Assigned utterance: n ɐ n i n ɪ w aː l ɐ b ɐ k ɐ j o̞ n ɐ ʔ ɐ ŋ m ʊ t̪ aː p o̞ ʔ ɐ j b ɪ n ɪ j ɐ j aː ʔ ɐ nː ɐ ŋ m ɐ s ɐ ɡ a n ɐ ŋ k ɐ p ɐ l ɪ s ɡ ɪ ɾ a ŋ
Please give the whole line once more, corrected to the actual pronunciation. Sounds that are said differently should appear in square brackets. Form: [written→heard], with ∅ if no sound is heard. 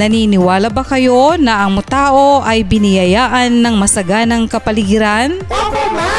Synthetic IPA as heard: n ɐ n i n ɪ w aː l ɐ b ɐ k ɐ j o̞ n ɐ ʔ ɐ ŋ m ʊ t̪ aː [p→ʔ] o̞ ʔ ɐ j b ɪ n ɪ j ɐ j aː ʔ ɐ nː ɐ ŋ m ɐ s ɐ ɡ a n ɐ ŋ k ɐ p ɐ l ɪ [s→∅] ɡ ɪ ɾ a [ŋ→n]